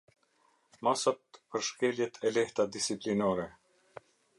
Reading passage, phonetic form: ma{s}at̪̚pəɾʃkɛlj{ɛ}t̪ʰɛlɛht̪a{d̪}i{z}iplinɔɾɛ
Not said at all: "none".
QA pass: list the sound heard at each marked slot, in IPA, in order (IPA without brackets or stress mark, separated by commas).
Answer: s, ɛ, d̪, s